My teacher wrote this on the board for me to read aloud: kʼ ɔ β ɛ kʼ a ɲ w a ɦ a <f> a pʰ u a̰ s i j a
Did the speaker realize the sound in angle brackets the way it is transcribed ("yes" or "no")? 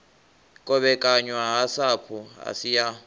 no